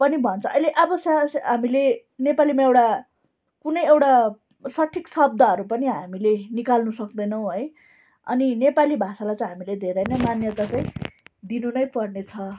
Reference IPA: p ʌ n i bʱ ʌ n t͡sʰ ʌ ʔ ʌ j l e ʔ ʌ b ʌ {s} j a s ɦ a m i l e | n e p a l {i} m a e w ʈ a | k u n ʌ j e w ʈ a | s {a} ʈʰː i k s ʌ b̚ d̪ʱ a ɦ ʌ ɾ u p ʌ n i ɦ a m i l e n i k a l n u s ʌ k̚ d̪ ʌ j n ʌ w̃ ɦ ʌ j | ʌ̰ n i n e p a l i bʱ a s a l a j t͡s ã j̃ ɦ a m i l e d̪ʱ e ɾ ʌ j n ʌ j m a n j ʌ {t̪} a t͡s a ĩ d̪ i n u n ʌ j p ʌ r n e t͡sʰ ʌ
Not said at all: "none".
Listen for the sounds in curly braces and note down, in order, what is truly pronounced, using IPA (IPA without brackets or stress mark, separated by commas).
s, i, ʌ, t̪